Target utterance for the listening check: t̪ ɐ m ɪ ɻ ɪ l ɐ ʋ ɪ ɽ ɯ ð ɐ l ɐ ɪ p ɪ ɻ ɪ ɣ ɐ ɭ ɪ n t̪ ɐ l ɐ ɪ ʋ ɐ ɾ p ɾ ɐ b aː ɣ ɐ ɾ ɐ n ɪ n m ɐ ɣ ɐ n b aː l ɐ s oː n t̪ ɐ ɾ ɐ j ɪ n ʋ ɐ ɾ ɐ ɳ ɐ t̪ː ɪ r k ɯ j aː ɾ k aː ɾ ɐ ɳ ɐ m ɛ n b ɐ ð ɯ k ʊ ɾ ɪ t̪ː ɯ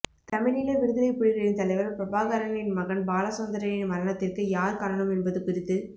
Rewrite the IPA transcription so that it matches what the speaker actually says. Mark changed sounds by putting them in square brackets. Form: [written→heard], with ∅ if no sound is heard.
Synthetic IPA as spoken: t̪ ɐ m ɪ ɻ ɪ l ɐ ʋ ɪ ɽ ɯ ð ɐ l ɐ ɪ p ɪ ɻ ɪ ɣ ɐ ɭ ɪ n t̪ ɐ l ɐ ɪ ʋ ɐ ɾ p ɾ ɐ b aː ɣ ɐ ɾ ɐ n ɪ n m ɐ ɣ ɐ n b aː l ɐ s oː n [t̪→d̪] ɐ ɾ ɐ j ɪ n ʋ ɐ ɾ ɐ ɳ ɐ t̪ː ɪ r k ɯ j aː ɾ k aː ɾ ɐ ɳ ɐ m ɛ n b ɐ ð ɯ k ʊ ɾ ɪ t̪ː ɯ